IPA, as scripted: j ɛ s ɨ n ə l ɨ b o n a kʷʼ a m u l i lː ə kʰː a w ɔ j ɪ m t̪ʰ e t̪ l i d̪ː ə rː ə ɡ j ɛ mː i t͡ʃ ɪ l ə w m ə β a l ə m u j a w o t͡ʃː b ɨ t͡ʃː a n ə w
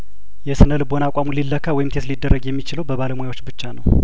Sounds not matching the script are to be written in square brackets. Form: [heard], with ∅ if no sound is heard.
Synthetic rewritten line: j ɛ s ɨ n ə l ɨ b o n a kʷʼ a m u l i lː ə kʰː a w ɔ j ɪ m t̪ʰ e t̪ l i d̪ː ə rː ə ɡ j ɛ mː i t͡ʃ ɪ l ə w [b] ə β a l ə m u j a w o t͡ʃː b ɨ t͡ʃː a n ə w

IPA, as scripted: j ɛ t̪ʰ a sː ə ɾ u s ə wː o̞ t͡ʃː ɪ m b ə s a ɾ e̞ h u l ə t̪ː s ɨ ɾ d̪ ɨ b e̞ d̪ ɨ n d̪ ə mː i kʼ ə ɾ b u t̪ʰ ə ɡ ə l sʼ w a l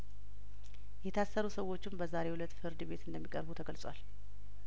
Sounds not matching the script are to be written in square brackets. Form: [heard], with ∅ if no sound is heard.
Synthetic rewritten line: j ɛ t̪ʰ a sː ə ɾ u s ə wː o̞ t͡ʃː ɪ m b ə [z] a ɾ e̞ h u l ə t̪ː [f] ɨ ɾ d̪ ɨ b e̞ [t̪] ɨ n d̪ ə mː i kʼ ə ɾ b u t̪ʰ ə ɡ ə l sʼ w a l

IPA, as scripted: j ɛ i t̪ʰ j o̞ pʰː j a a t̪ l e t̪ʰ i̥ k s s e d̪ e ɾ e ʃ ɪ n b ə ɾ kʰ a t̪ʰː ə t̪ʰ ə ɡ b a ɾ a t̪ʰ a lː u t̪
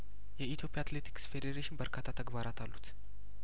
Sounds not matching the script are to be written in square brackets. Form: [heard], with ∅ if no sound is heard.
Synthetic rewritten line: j ɛ i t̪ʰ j o̞ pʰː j a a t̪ l e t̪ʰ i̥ k s [f] e d̪ e ɾ e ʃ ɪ n b ə ɾ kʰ a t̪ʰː [a] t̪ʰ ə ɡ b a ɾ a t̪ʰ a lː u t̪

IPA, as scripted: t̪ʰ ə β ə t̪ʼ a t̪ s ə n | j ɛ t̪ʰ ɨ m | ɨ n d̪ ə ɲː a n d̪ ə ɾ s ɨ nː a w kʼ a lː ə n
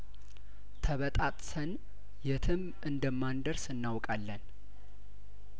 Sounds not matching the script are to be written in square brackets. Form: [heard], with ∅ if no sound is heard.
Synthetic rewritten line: t̪ʰ ə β ə t̪ʼ a [t̪ʼ] s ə n | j ɛ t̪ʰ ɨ m | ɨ n d̪ ə [mː] a n d̪ ə ɾ s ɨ nː a w kʼ a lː ə n

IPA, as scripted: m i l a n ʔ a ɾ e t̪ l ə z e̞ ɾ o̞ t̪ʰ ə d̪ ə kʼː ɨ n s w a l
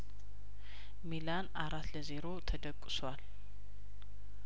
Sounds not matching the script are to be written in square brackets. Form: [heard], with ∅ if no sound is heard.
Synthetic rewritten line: m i l a n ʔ a ɾ [a] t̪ l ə z e̞ ɾ o̞ t̪ʰ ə d̪ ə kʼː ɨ [∅] s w a l

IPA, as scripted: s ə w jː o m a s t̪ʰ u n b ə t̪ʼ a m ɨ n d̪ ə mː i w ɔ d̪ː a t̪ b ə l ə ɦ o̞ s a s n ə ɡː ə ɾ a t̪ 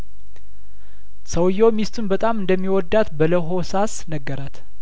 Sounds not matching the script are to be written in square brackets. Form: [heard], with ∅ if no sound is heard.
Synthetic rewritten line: s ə w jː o m [i] s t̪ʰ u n b ə t̪ʼ a m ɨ n d̪ ə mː i w ɔ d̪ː a t̪ b ə l ə ɦ o̞ s a s n ə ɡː ə ɾ a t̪

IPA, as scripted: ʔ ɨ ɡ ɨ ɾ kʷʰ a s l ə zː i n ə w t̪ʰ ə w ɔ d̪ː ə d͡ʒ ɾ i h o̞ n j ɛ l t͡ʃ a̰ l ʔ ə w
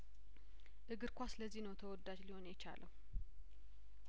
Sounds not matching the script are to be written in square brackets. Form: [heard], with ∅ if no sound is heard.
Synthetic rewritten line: ʔ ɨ ɡ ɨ ɾ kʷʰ a s l ə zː i n ə w t̪ʰ ə w ɔ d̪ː [a] d͡ʒ [l] i h o̞ n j ɛ [∅] t͡ʃ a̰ l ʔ ə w

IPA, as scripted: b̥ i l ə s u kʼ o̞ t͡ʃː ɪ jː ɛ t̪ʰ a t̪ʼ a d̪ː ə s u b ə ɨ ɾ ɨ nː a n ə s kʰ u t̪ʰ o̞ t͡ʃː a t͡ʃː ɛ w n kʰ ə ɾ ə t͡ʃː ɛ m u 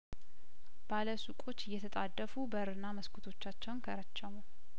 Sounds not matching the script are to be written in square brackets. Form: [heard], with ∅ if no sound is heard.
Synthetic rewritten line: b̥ [a] l ə s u kʼ o̞ t͡ʃː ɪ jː ɛ t̪ʰ [ə] t̪ʼ a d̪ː ə [f] u b ə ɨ ɾ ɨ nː a [m] ə s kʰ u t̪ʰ o̞ t͡ʃː a t͡ʃː ɛ w n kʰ ə ɾ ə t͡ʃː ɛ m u

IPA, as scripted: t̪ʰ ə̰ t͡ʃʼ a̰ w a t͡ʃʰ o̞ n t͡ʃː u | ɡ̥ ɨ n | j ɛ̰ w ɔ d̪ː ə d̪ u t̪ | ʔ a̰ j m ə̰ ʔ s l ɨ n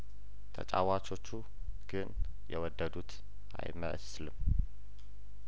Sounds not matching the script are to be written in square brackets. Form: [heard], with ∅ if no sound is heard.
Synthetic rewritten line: t̪ʰ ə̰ t͡ʃʼ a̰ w a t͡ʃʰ o̞ [∅] t͡ʃː u | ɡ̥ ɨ n | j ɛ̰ w ɔ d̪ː ə d̪ u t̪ | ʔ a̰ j m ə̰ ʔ s l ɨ [m]

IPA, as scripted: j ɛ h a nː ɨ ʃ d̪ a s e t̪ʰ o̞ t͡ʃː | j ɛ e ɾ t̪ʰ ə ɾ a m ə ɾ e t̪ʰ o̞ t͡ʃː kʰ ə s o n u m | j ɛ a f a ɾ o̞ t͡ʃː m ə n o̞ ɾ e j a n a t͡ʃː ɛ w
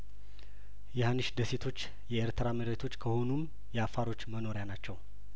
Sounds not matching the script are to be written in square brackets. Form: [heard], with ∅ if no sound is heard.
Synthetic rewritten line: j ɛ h a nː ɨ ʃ d̪ [ə] s e t̪ʰ o̞ t͡ʃː | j ɛ e ɾ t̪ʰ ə ɾ a m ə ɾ e t̪ʰ o̞ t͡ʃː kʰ ə [h] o n u m | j ɛ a f a ɾ o̞ t͡ʃː m ə n o̞ ɾ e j a n a t͡ʃː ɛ w

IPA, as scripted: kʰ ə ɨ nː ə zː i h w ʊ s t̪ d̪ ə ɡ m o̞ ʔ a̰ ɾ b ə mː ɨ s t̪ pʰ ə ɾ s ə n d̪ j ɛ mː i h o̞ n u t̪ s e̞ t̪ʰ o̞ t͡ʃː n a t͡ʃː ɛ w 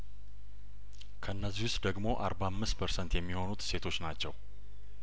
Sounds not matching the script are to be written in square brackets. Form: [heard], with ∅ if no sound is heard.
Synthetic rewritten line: kʰ ə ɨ nː ə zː i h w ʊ s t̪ d̪ ə ɡ m o̞ ʔ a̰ ɾ b [a] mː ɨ s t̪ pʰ ə ɾ s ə n [t̪] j ɛ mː i h o̞ n u t̪ s e̞ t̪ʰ o̞ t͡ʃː n a t͡ʃː ɛ w

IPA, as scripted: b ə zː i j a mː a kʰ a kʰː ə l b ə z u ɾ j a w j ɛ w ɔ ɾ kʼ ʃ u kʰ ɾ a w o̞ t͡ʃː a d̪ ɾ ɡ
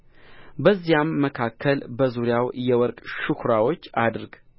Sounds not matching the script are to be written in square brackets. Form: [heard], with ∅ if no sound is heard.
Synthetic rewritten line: b ə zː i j a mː [ə] kʰ a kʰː ə l b ə z u ɾ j a w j ɛ w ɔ ɾ kʼ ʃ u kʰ ɾ a w o̞ t͡ʃː a d̪ ɾ ɡ

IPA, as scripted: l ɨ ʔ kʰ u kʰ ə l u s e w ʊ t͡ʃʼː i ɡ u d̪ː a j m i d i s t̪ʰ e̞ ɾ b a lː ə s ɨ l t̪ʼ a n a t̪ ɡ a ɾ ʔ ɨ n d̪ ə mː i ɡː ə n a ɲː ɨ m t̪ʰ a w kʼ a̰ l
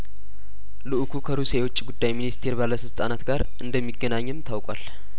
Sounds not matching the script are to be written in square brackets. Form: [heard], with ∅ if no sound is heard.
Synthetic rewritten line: l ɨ ʔ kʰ u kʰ ə [ɾ] u s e w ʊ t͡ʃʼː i ɡ u d̪ː a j m i [n] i s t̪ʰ e̞ ɾ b a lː ə s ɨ l t̪ʼ a n a t̪ ɡ a ɾ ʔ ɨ n d̪ ə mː i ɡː ə n a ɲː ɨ m t̪ʰ a w kʼ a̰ l

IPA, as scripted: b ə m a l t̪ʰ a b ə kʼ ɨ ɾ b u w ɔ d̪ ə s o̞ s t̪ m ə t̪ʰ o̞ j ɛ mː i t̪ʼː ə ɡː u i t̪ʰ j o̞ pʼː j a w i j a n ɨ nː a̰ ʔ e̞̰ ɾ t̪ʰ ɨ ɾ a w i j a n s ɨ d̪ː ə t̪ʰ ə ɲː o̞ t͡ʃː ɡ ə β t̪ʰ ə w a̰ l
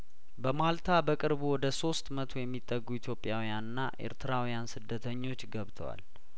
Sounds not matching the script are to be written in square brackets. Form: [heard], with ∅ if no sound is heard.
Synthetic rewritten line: b ə m a l t̪ʰ a b ə kʼ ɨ ɾ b u w ɔ d̪ ə s o̞ s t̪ m ə t̪ʰ o̞ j ɛ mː i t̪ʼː ə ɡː u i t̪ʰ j o̞ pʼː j a w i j a n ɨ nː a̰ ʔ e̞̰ ɾ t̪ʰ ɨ ɾ a w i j a n s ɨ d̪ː ə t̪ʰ ə ɲː o̞ t͡ʃː ɡ ə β t̪ʰ ə w a̰ l

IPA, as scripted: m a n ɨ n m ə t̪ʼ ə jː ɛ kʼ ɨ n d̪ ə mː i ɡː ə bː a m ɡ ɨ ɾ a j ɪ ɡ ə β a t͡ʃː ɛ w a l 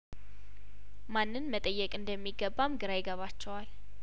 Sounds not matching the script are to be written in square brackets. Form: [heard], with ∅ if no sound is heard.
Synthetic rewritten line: m a [nː] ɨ n m ə t̪ʼ ə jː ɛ kʼ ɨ n d̪ ə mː i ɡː ə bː a m ɡ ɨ ɾ a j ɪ ɡ ə β a t͡ʃː ɛ w a l

